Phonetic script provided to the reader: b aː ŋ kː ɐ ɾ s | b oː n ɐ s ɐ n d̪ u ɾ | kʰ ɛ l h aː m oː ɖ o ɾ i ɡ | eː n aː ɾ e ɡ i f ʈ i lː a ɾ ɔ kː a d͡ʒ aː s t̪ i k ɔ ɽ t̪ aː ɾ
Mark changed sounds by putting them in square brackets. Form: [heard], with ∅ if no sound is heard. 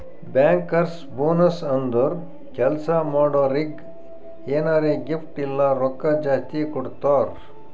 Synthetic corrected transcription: b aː ŋ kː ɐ ɾ s | b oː n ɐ s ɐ n d̪ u ɾ | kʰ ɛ l [s] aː m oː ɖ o ɾ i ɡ | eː n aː ɾ e ɡ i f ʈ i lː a ɾ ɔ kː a d͡ʒ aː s t̪ i k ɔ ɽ t̪ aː ɾ